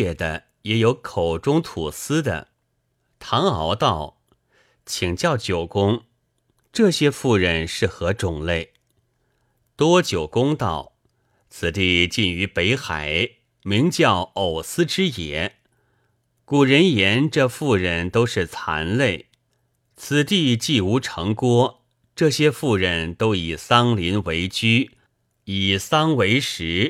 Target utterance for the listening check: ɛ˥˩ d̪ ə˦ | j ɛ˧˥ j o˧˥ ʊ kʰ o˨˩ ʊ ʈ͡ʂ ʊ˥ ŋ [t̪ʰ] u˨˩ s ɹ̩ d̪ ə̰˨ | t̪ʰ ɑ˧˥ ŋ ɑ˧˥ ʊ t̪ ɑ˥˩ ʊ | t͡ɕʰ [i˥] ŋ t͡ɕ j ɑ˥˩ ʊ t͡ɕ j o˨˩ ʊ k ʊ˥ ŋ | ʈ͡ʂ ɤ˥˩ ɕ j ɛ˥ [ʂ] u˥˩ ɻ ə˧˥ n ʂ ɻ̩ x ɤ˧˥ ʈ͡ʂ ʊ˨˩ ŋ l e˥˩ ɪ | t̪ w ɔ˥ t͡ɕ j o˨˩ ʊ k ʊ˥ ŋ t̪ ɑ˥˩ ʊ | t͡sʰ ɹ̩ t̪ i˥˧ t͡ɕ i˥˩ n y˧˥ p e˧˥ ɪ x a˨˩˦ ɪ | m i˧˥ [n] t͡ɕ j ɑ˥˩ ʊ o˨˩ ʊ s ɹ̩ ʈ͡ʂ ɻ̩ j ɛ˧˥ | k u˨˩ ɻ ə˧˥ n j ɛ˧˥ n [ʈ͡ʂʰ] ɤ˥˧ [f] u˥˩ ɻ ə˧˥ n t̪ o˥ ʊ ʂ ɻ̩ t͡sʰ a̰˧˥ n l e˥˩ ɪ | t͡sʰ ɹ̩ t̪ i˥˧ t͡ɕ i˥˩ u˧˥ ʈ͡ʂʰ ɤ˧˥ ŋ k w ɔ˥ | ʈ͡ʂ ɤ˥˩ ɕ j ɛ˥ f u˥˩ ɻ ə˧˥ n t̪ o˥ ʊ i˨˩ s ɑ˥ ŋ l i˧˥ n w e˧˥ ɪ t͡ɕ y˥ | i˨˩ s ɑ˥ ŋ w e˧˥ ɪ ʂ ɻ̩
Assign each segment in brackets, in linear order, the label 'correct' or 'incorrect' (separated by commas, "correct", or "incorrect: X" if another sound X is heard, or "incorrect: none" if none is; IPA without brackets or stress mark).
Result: correct, incorrect: i˨˩, incorrect: f, incorrect: ŋ, incorrect: ʈ͡ʂ, correct